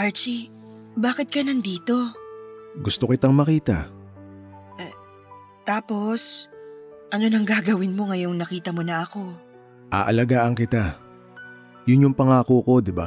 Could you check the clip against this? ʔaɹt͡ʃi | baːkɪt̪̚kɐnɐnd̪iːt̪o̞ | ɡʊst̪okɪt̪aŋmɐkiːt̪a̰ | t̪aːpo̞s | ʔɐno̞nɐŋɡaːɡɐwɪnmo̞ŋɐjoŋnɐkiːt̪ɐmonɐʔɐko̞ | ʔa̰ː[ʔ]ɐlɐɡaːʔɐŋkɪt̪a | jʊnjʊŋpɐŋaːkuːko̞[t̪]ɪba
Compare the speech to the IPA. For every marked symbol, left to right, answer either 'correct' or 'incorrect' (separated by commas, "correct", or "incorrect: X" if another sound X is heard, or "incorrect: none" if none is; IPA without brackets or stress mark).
correct, incorrect: d̪